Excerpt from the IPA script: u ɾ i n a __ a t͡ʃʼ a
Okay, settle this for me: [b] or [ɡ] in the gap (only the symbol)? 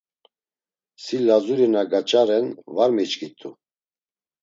ɡ